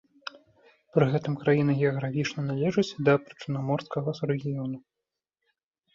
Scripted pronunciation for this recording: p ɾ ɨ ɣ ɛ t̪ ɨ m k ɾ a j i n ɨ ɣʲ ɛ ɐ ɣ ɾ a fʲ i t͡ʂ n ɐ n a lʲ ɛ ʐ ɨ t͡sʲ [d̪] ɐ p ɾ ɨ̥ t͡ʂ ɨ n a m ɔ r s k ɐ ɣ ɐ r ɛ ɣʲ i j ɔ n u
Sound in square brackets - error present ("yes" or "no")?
no